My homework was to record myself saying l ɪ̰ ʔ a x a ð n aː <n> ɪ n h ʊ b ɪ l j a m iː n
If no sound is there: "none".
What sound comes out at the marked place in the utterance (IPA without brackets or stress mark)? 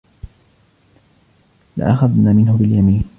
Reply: m